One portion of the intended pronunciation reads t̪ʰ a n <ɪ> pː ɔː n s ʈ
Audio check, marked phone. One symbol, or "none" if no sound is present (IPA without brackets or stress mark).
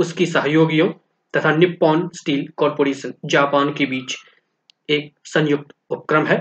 ɪ